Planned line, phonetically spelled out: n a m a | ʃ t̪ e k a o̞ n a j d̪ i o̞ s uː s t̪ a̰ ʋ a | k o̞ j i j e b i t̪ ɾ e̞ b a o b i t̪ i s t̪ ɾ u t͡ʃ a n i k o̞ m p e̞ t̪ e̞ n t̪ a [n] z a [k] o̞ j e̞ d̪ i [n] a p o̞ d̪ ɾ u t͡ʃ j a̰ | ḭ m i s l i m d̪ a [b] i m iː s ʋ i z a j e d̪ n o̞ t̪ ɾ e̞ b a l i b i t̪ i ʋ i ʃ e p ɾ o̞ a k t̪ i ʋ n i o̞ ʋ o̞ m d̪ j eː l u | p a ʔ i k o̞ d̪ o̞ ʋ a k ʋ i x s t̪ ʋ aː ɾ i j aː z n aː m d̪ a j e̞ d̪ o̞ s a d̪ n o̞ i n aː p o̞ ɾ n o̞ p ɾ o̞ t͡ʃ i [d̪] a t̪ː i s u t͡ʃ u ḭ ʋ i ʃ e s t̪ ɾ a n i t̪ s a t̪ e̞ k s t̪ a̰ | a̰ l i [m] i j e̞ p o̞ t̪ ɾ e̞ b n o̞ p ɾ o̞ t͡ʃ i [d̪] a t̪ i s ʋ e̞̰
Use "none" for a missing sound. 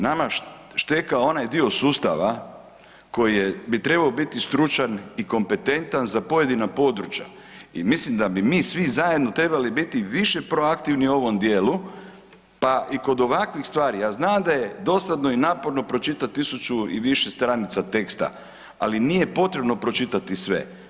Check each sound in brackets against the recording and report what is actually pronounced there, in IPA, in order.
n, p, n, b, t̪, n, t̪

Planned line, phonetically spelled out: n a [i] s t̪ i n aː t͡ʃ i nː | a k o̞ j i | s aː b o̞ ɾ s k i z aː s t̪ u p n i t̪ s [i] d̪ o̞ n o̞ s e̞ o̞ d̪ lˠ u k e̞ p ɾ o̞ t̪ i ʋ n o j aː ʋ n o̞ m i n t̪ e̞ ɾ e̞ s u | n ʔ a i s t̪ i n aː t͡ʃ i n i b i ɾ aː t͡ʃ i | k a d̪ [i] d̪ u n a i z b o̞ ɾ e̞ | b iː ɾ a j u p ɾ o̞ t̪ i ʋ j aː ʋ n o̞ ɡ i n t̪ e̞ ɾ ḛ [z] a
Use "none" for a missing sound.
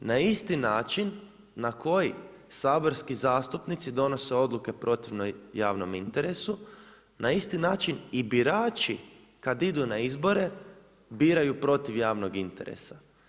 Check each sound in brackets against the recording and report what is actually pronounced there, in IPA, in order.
i, i, i, s

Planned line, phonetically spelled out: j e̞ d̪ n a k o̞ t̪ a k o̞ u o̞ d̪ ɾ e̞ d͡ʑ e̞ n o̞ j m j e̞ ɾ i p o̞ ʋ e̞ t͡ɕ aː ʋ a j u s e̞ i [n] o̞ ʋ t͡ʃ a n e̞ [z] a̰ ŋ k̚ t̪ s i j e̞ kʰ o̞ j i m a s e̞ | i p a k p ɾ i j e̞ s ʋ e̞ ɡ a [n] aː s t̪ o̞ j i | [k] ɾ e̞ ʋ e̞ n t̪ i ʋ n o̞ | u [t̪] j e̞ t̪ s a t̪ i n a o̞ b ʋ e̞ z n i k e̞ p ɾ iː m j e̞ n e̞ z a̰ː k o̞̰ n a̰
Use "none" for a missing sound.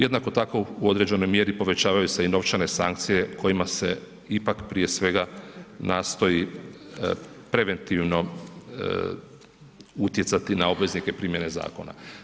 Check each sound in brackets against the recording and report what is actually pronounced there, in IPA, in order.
n, s, n, p, t̪

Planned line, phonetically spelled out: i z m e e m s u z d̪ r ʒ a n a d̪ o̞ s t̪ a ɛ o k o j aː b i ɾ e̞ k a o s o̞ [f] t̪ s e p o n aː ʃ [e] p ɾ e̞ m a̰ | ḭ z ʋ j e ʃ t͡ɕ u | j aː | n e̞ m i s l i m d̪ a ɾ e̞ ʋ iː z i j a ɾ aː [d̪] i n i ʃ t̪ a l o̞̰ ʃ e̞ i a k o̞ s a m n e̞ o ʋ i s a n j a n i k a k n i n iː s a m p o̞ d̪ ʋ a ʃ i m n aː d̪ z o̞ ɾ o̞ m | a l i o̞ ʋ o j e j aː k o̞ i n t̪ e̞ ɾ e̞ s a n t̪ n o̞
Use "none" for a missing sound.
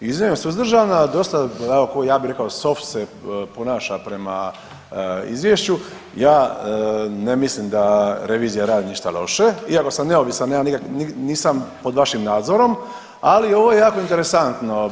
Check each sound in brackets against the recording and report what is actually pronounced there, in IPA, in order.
f, a, d̪

